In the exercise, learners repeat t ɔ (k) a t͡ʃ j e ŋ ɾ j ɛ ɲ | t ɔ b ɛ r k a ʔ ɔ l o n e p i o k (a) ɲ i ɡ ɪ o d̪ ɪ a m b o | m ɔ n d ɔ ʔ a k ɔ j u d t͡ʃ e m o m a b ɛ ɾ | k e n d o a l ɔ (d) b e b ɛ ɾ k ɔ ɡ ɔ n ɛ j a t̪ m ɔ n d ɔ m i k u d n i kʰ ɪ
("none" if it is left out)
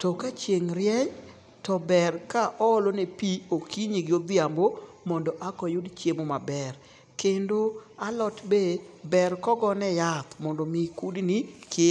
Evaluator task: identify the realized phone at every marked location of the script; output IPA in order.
k, i, t

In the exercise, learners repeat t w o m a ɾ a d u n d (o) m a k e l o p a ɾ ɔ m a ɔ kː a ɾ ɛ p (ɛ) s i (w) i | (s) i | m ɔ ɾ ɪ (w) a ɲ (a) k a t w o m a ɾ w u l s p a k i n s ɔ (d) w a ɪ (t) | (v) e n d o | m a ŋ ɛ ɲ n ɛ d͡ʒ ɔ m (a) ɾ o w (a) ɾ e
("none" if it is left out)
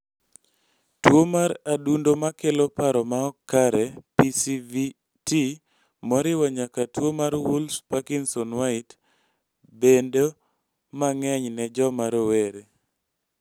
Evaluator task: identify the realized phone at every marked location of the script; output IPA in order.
o, i, v, t, w, a, n, t, b, a, e

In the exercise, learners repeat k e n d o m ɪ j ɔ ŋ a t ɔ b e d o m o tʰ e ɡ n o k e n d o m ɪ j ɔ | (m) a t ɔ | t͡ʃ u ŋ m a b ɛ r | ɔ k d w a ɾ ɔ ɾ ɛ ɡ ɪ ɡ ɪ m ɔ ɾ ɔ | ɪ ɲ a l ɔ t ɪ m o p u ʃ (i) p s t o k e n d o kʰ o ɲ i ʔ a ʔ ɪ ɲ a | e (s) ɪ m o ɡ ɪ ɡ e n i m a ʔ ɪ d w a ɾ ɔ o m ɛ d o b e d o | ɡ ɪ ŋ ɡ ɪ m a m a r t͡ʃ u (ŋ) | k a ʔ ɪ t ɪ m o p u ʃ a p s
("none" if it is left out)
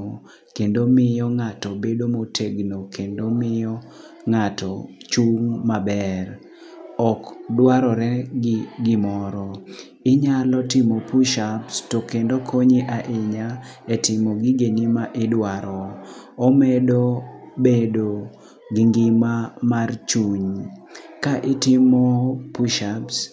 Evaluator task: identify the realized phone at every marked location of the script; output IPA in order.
ŋ, a, t, ɲ

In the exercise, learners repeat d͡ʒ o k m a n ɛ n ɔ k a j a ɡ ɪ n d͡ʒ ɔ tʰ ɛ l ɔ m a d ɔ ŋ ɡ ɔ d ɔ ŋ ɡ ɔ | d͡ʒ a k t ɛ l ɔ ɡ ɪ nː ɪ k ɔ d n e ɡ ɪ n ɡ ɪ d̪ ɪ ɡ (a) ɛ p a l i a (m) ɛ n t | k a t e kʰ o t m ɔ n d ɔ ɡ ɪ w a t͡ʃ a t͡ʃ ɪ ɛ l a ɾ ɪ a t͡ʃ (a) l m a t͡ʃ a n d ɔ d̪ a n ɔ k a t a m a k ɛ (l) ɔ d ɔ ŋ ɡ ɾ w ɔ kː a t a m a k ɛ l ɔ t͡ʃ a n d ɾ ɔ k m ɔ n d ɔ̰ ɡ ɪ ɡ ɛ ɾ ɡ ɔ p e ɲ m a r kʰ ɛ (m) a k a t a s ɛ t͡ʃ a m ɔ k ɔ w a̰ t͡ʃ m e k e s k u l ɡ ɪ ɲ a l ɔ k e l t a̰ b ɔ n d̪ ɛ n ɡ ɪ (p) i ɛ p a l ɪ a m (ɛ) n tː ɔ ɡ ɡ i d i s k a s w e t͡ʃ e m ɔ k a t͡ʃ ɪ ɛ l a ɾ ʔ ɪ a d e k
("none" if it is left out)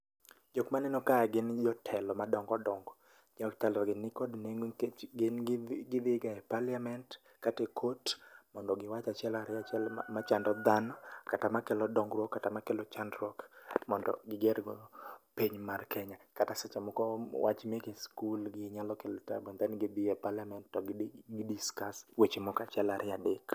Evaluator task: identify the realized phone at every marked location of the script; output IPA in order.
a, m, ɛ, l, ɲ, b, ɛ

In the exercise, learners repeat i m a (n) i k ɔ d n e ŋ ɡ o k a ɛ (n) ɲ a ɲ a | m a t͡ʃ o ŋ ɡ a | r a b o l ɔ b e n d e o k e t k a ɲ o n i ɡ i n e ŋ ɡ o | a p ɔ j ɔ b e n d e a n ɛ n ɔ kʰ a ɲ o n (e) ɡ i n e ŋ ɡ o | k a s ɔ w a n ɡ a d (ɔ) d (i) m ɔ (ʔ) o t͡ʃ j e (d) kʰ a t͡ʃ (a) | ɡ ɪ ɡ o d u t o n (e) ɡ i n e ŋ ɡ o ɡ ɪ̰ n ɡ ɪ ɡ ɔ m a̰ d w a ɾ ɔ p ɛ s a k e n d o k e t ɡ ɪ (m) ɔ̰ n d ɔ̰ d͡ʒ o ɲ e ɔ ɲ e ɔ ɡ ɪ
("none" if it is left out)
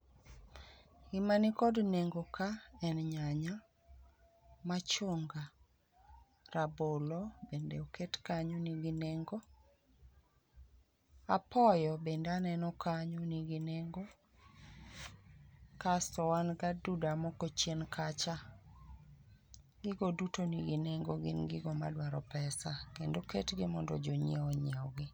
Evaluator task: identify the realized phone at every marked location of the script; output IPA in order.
n, n, i, u, a, k, n, a, i, m

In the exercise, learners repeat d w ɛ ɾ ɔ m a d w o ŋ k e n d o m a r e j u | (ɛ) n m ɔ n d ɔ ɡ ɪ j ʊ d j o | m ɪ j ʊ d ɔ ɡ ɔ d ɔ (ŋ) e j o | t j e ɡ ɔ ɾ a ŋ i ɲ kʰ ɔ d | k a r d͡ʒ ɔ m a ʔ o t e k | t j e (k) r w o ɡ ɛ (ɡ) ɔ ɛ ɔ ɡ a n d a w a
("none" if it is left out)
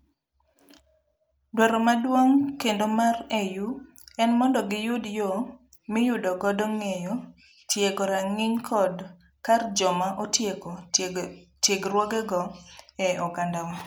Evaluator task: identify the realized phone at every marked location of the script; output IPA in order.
ɛ, ŋ, ɡ, ɡ

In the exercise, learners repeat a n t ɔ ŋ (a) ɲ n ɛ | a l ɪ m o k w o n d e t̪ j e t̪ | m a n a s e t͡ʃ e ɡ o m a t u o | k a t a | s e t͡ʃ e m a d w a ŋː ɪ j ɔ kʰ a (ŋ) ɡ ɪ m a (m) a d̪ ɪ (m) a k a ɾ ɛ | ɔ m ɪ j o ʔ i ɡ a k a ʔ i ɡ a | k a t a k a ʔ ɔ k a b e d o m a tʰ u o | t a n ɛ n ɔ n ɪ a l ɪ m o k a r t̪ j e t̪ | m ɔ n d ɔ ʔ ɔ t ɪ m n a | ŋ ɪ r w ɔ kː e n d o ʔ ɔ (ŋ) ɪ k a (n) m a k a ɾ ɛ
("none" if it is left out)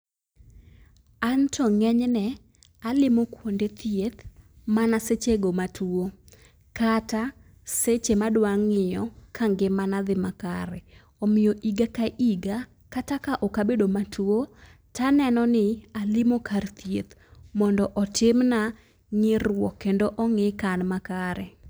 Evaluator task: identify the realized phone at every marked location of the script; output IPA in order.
ɛ, ŋ, n, m, ŋ, n

